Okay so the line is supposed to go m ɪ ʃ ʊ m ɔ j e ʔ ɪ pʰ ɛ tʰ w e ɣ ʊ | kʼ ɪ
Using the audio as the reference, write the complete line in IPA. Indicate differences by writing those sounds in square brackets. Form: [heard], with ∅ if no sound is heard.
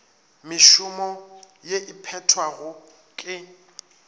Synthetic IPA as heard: m ɪ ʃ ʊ m ɔ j e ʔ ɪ pʰ ɛ tʰ w [a] ɣ ʊ | kʼ ɪ